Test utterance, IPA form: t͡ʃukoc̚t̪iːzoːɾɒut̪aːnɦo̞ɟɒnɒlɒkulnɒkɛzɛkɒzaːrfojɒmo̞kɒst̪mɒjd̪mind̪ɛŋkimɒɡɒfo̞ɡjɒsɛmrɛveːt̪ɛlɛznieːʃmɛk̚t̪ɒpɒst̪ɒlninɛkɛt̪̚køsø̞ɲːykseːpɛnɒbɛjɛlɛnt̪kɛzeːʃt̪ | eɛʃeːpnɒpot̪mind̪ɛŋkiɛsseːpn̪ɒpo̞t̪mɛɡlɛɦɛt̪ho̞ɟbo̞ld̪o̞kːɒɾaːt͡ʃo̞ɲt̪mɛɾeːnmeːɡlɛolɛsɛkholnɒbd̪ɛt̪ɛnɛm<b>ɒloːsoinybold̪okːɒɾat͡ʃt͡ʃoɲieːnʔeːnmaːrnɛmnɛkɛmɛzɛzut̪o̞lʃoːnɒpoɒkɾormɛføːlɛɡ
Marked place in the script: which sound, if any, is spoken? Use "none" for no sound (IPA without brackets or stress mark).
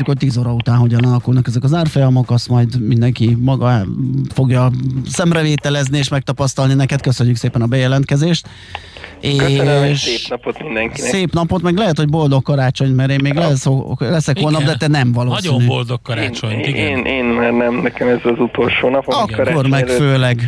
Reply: v